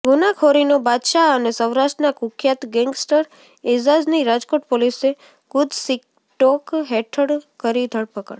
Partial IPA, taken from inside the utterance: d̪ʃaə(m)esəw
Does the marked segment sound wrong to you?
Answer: yes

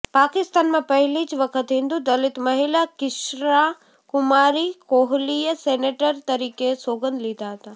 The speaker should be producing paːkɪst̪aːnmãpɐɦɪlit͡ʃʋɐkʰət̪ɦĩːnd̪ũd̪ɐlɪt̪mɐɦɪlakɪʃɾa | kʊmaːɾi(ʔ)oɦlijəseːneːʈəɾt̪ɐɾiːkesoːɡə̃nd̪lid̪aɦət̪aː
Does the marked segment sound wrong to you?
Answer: yes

